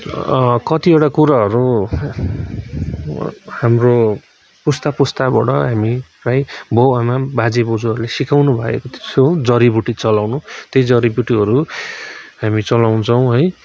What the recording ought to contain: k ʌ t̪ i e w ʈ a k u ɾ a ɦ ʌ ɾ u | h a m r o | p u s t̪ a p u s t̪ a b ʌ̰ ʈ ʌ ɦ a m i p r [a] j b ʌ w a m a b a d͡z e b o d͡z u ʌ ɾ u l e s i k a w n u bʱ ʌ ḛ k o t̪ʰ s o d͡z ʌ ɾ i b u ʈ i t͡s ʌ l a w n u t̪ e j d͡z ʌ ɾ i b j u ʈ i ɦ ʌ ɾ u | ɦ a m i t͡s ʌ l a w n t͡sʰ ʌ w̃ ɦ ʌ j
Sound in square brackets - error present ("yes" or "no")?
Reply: no